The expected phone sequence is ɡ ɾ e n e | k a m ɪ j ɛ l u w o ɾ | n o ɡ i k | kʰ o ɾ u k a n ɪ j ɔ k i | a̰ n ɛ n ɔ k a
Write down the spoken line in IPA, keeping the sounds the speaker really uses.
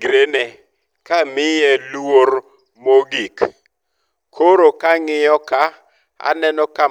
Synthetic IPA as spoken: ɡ ɾ e n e | k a m ɪ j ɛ l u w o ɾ | m o ɡ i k | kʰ o ɾ o k a ŋ ɪ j ɔ k a | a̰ n ɛ n ɔ k a

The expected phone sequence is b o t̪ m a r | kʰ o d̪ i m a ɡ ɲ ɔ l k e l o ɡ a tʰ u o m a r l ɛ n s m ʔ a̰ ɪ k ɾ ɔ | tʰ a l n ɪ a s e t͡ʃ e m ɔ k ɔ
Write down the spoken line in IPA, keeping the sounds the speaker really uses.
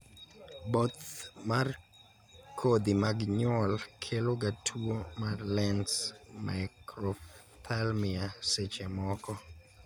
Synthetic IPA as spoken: b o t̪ m a r | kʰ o d̪ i m a ɡ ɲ ɔ l kʰ e l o ɡ a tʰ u o m a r l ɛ n s m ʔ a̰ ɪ k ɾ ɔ | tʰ a l m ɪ a s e t͡ʃ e m ɔ k ɔ

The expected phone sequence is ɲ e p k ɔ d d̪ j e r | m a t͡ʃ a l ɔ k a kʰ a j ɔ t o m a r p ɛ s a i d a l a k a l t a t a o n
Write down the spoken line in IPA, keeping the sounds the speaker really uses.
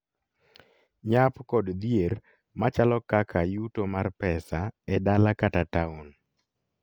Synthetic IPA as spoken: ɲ a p k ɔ d d̪ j e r | m a t͡ʃ a l ɔ k a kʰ a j u t o m a r p ɛ s a ɛ d a l a k a t a t a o n

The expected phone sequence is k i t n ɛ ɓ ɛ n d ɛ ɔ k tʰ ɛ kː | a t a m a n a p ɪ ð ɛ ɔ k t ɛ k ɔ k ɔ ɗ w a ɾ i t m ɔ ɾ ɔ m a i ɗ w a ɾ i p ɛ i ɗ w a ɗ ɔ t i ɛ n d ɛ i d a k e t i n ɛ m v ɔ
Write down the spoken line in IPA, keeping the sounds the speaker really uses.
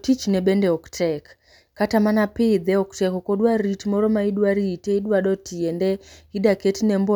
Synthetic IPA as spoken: t i t͡ʃ n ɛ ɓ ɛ n d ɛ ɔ k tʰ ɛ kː | a t a m a n a p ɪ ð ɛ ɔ k t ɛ k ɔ k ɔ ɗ w a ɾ i t m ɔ ɾ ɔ m a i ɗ w a ɾ i t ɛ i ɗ w a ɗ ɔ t i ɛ n d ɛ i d a k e t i n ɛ m b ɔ

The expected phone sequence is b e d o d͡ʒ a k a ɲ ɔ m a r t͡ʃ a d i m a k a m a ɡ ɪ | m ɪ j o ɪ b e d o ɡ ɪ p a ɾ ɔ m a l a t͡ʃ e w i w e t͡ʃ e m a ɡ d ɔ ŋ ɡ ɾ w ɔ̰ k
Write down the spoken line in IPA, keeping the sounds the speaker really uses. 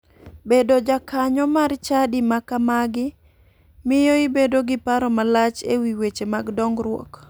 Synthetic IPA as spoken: b e d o d͡ʒ a k a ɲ ɔ m a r t͡ʃ a d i m a k a m a ɡ ɪ | m ɪ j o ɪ b e d o ɡ ɪ p a ɾ ɔ m a l a t͡ʃ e w i w e t͡ʃ e m a ɡ d ɔ ŋ ɡ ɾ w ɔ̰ k

